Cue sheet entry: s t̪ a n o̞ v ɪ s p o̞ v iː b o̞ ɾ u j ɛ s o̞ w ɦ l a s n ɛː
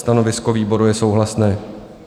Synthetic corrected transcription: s t̪ a n o̞ v ɪ s k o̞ v iː b o̞ ɾ u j ɛ s o̞ w ɦ l a s n ɛː